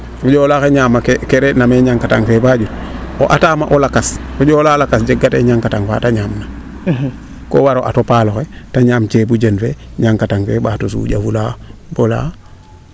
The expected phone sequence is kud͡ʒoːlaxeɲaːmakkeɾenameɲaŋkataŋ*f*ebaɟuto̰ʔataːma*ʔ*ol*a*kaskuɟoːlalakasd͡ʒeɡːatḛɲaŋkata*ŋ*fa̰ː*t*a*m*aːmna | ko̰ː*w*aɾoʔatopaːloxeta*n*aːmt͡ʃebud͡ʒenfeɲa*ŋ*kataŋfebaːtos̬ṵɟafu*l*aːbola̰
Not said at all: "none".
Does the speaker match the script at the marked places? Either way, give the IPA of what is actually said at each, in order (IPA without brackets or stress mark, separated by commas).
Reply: f, ʔ, a, ŋ, t, ɲ, w, ɲ, ŋ, l